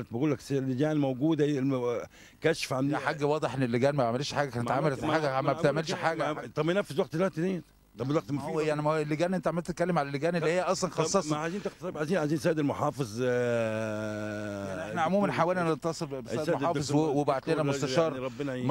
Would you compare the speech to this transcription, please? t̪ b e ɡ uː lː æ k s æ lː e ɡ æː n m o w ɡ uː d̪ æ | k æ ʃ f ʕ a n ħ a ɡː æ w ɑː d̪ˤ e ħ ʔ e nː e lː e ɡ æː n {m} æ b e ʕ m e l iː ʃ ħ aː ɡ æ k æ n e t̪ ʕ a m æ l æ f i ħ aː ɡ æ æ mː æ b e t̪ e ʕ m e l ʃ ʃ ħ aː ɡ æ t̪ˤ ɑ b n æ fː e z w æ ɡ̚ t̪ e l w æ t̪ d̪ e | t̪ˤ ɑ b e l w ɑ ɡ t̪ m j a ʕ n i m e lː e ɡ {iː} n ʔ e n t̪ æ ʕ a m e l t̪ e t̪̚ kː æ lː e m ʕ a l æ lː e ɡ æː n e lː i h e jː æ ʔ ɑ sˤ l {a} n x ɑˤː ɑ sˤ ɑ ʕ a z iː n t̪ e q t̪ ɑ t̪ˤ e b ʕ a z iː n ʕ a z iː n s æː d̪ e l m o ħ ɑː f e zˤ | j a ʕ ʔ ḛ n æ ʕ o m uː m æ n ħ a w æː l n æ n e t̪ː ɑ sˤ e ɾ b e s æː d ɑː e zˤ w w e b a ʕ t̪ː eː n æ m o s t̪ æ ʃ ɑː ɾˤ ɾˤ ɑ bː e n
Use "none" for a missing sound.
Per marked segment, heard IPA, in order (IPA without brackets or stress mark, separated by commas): m, æː, ɑ